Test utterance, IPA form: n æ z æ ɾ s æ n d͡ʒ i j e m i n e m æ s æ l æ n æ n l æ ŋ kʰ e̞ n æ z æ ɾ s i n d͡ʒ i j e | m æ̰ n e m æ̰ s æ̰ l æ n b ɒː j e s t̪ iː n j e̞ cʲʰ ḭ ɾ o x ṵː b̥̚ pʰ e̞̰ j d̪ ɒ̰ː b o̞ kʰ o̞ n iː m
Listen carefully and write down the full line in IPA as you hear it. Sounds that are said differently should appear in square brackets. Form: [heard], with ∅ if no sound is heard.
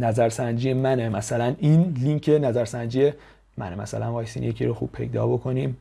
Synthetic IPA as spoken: n æ z æ ɾ s æ n d͡ʒ i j e m [æ] n e m æ s æ l æ n [i] n l [i] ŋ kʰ e̞ n æ z æ ɾ s [æ] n d͡ʒ i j e | m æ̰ n e m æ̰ s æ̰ l æ n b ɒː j e s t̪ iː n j e̞ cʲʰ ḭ ɾ o x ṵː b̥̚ pʰ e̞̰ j d̪ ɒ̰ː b o̞ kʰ o̞ n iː m